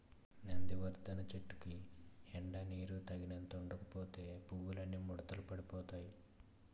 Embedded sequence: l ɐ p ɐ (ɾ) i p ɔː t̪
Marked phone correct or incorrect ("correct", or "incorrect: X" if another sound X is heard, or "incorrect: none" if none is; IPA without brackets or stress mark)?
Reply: incorrect: ɽ